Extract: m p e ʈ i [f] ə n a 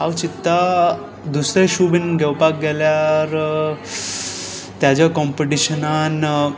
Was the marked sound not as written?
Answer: yes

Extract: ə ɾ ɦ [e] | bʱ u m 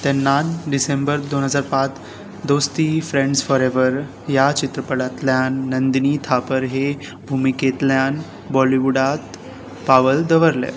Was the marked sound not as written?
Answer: no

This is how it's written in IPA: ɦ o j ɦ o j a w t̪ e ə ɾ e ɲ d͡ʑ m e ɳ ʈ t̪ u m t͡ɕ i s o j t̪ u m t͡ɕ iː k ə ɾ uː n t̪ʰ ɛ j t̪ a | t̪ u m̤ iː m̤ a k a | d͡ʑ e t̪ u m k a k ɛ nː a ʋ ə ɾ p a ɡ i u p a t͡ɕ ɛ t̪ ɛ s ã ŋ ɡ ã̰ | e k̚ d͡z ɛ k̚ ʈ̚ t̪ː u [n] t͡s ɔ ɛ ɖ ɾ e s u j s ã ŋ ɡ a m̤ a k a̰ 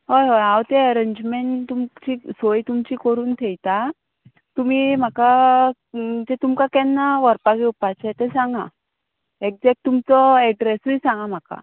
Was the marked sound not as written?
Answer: yes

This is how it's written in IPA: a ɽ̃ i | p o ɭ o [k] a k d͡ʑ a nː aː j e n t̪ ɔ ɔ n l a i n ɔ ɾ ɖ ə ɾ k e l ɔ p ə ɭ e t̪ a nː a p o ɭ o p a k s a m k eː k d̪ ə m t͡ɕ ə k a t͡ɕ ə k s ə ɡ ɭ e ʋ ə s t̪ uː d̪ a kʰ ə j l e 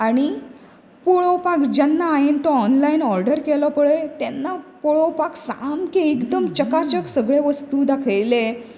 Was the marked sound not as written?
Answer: yes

